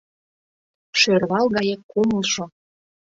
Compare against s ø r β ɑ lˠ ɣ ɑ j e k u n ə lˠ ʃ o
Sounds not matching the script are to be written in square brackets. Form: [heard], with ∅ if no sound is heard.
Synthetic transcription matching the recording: [ʃ] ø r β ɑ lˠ ɣ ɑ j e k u [m] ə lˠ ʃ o